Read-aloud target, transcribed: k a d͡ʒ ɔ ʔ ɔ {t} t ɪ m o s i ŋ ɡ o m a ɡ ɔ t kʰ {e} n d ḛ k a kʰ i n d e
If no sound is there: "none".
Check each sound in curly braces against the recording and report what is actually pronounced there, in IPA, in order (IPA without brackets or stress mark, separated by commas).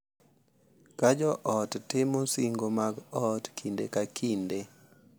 t, i